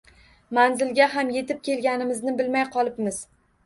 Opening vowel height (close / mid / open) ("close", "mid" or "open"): open